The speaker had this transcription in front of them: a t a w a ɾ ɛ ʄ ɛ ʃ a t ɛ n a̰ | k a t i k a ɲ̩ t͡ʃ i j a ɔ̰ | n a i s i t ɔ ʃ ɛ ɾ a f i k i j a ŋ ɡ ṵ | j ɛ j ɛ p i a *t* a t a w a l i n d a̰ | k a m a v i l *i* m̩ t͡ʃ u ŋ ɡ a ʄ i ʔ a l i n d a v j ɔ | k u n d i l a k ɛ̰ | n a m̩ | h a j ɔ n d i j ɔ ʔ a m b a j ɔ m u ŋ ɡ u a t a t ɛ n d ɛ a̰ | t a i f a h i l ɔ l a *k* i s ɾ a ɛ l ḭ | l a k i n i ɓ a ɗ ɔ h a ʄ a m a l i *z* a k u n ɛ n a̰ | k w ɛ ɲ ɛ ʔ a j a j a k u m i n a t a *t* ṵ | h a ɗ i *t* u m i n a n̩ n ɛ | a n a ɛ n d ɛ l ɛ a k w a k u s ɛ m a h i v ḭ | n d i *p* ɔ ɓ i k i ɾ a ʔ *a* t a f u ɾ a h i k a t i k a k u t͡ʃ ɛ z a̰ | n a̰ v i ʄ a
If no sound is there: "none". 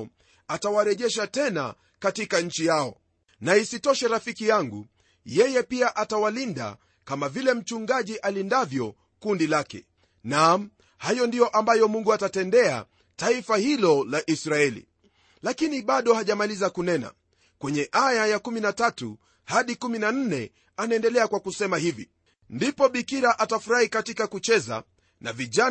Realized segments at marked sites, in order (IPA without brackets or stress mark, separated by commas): ʔ, ɛ, ʔ, z, t, k, p, a